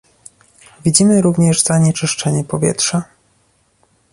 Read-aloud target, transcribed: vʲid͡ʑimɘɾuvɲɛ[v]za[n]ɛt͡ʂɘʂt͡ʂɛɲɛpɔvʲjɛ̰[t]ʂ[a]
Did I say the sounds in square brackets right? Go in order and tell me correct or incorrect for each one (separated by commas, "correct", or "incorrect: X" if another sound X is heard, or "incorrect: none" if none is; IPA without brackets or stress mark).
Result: incorrect: ʐ, incorrect: ɲ, correct, correct